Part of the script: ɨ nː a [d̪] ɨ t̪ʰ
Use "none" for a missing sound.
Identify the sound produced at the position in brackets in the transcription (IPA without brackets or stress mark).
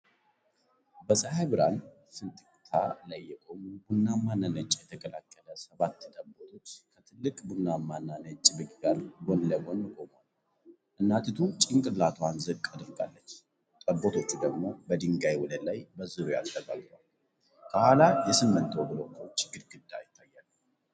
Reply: t̪